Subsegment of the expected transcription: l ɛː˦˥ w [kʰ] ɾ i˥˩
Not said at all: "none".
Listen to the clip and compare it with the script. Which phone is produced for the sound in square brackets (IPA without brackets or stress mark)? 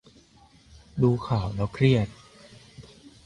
kʰ